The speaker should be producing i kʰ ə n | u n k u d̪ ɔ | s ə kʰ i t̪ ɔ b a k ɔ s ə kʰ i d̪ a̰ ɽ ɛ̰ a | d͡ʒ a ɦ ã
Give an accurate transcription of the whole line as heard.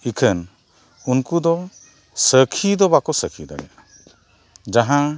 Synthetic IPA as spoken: i kʰ ə n | u n k u d̪ ɔ | s ə kʰ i d̪ ɔ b a k ɔ s ə kʰ i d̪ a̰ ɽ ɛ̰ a | d͡ʒ a ɦ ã